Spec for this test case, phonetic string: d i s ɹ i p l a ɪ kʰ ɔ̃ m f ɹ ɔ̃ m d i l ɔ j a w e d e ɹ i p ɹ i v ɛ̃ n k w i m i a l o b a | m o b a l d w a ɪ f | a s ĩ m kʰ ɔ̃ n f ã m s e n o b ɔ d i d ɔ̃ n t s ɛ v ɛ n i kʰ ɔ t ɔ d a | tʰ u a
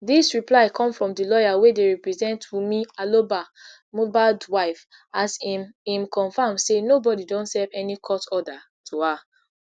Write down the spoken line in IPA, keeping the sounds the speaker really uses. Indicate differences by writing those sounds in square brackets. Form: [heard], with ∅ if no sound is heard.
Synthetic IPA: d i s ɹ i p l a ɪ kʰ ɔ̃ m f ɹ ɔ̃ m d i l ɔ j a w e d e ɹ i p ɹ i [z] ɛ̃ n [t] w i m i a l o b a | m o b a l d w a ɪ f | a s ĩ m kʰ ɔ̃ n f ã m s e n o b ɔ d i d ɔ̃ n t s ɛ v ɛ n i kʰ ɔ t ɔ d a | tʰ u a